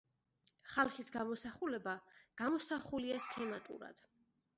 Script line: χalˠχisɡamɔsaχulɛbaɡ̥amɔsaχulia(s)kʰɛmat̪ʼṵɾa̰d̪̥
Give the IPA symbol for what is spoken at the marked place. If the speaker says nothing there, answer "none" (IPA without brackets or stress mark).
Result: s